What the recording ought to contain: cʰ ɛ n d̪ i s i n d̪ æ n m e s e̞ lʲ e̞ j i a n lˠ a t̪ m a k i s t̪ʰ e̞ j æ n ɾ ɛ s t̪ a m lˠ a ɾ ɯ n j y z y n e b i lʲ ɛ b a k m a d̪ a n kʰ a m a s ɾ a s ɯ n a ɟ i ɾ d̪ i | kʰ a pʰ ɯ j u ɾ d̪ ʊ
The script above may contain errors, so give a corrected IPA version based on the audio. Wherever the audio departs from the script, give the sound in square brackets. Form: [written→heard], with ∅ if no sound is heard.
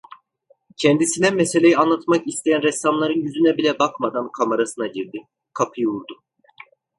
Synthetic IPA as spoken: cʰ ɛ n d̪ i s i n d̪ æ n m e s e̞ lʲ e̞ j i a n lˠ a t̪ m a k i s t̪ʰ e̞ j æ n ɾ ɛ s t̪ a m lˠ a ɾ ɯ n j y z y n [e→ɛ] b i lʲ ɛ b a k m a d̪ a n kʰ a m a [s→∅] ɾ a s ɯ n a ɟ i ɾ d̪ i | kʰ a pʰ ɯ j u ɾ d̪ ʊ